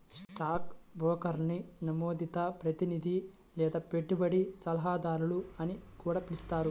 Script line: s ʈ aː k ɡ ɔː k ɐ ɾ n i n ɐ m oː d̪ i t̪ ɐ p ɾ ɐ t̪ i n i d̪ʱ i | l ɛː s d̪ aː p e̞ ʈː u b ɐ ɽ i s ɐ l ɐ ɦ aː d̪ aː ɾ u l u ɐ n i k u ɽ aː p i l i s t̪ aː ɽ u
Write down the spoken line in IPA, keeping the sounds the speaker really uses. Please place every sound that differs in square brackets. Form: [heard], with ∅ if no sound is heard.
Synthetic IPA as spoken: s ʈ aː k [b] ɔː k ɐ ɾ n i n ɐ m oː d̪ i t̪ ɐ p ɾ ɐ t̪ i n i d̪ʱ i | l ɛː [∅] d̪ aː p e̞ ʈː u b ɐ ɽ i s ɐ l ɐ ɦ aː d̪ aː ɾ u l u ɐ n i k [uː] ɽ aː p i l i s t̪ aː [ɾ] u